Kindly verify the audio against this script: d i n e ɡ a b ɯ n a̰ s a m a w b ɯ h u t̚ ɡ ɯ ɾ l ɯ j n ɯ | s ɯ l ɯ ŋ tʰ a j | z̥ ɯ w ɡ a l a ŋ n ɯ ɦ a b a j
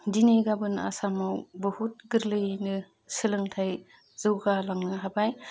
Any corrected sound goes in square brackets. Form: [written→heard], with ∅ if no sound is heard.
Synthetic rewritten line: d i n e ɡ a b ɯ n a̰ s a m a w b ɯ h u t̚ ɡ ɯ ɾ l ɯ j n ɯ | s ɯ l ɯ ŋ tʰ a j | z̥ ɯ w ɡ a l a ŋ n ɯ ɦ a b a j